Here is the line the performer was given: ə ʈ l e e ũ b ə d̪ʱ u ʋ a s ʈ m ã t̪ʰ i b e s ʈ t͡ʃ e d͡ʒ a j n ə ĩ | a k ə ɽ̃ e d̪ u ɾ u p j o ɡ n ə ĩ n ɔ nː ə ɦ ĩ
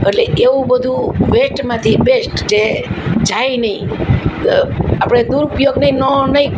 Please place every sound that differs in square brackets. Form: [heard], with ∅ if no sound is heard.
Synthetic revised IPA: ə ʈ l e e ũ b ə d̪ʱ u ʋ [e] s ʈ m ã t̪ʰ i b e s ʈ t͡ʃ e d͡ʒ a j n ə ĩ | a [p] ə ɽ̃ e d̪ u ɾ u p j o ɡ n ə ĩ n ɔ [n] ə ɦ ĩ

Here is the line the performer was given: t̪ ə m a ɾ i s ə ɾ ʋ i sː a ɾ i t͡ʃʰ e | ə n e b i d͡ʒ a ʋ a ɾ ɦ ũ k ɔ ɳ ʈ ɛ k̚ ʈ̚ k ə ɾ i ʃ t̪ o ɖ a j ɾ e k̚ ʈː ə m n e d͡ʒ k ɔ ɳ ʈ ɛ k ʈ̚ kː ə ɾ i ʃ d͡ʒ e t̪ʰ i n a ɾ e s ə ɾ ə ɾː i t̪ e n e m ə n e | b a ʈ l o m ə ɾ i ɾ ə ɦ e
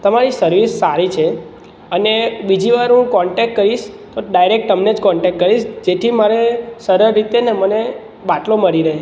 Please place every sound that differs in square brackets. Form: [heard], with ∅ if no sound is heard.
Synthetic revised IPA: t̪ ə m a ɾ i s ə ɾ ʋ i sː a ɾ i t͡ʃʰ e | ə n e b i d͡ʒ [i] ʋ a ɾ ɦ ũ k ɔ ɳ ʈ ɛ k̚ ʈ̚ k ə ɾ i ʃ t̪ o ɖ a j ɾ e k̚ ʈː ə m n e d͡ʒ k ɔ ɳ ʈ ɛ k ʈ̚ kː ə ɾ i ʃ d͡ʒ e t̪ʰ i [m] a ɾ e s ə ɾ ə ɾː i t̪ e n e m ə n e | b a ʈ l o m ə ɾ i ɾ ə ɦ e

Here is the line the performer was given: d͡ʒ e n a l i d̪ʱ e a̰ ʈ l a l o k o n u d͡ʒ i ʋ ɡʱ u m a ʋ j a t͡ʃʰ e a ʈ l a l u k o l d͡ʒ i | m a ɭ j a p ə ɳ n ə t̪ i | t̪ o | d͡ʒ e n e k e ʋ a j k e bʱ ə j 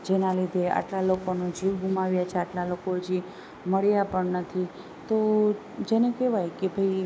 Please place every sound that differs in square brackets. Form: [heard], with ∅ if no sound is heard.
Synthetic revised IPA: d͡ʒ e n a l i d̪ʱ e a̰ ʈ l a l o k o n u d͡ʒ i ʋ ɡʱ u m a ʋ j a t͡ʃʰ e a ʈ l a l [o] k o [∅] d͡ʒ i | m [ə] ɭ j a p ə ɳ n ə [t̪ʰ] i | t̪ o | d͡ʒ e n e k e ʋ a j k e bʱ ə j

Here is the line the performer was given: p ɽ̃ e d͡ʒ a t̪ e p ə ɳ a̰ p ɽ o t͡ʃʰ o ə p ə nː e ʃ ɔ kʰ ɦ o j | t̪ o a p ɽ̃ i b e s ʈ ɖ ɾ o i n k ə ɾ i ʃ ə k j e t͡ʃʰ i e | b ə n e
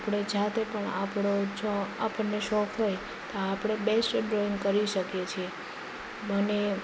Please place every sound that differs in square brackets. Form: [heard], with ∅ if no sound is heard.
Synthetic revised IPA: p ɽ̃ e d͡ʒ a t̪ e p ə ɳ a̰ p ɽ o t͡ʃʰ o [a] p ə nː e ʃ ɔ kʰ ɦ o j | t̪ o a p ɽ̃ [e] b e s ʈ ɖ ɾ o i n k ə ɾ i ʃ ə k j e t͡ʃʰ i e | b ə n e

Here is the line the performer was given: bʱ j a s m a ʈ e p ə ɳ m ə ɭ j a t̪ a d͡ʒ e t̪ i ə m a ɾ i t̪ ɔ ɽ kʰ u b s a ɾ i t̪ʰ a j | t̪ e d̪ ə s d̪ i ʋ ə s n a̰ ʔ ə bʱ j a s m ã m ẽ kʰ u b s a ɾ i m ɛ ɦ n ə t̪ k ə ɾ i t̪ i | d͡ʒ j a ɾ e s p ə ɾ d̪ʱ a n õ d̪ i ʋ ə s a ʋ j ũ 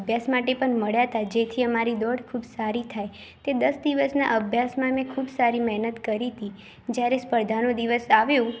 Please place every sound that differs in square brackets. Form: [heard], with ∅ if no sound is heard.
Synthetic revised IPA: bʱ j a s m a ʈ e p ə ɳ m ə ɭ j a t̪ a d͡ʒ e [t̪ʰ] i ə m a ɾ i [d̪] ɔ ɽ kʰ u b s a ɾ i t̪ʰ a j | t̪ e d̪ ə s d̪ i ʋ ə s n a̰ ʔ ə bʱ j a s m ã m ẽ kʰ u b s a ɾ i m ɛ ɦ n ə t̪ k ə ɾ i t̪ i | d͡ʒ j a ɾ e s p ə ɾ d̪ʱ a n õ d̪ i ʋ ə s a ʋ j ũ

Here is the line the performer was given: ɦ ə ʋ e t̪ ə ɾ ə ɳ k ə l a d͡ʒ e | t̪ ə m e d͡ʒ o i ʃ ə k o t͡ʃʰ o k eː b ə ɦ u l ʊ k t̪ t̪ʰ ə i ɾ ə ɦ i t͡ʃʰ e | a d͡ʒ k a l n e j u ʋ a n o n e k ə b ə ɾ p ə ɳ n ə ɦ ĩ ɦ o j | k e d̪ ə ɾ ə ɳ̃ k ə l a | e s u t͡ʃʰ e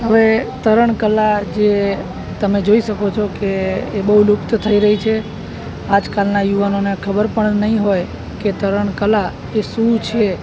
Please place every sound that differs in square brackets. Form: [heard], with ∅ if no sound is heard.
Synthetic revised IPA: ɦ ə ʋ e t̪ ə ɾ ə ɳ k ə l a d͡ʒ e | t̪ ə m e d͡ʒ o i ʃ ə k o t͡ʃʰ o k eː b ə ɦ u l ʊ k t̪ t̪ʰ ə i ɾ ə ɦ i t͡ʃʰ e | a d͡ʒ k a l n [a] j u ʋ a n o n e [kʰ] ə b ə ɾ p ə ɳ n ə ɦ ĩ ɦ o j | k e [t̪] ə ɾ ə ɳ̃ k ə l a | e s u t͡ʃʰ e

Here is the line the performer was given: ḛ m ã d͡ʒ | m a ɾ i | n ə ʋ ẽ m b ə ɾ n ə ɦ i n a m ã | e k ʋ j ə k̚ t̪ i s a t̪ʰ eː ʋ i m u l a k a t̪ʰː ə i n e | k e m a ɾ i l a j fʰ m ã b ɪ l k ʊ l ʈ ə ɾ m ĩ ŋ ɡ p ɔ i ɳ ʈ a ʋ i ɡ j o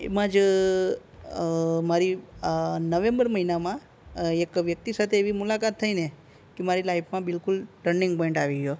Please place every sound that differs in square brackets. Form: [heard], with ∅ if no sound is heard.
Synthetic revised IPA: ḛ m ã d͡ʒ | m a ɾ i | n ə ʋ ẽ m b ə ɾ [m] ə ɦ i n a m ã | e k ʋ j ə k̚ t̪ i s a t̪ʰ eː ʋ i m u l a k a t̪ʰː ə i n e | k e m a ɾ i l a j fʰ m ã b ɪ l k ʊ l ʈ ə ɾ [n] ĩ ŋ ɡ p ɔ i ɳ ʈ a ʋ i ɡ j o

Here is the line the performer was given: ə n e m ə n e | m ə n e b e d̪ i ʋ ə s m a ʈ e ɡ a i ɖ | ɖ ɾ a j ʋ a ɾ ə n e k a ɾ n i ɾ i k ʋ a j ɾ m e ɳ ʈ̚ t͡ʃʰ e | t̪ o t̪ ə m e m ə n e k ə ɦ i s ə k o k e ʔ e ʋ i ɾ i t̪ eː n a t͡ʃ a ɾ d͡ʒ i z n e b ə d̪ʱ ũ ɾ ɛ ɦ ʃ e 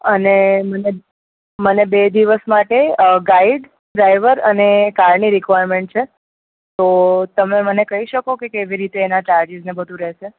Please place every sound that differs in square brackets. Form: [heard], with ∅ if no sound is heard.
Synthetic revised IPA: ə n e m ə n e | m ə n e b e d̪ i ʋ ə s m a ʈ e ɡ a i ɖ | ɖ ɾ a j ʋ [ə] ɾ ə n e k a ɾ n i ɾ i k ʋ a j ɾ m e ɳ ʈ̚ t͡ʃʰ e | t̪ o t̪ ə m e m ə n e k ə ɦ i [ʃ] ə k o k e [k] e ʋ i ɾ i t̪ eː n a t͡ʃ a ɾ d͡ʒ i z n e b ə d̪ʱ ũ ɾ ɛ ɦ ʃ e

